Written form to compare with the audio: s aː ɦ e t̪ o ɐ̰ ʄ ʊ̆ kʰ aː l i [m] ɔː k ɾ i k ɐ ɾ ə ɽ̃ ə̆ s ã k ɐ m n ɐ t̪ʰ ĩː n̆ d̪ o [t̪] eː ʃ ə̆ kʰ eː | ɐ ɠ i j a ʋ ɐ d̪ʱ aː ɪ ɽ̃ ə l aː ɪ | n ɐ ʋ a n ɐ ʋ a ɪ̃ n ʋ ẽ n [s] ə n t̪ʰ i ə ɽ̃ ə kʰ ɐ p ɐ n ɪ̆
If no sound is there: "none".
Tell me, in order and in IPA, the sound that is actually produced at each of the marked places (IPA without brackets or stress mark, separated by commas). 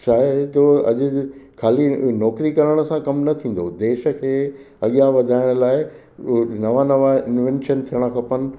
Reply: n, d̪, ʃ